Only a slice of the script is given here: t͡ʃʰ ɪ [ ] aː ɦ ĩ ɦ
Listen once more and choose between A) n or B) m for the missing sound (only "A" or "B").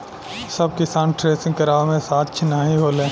A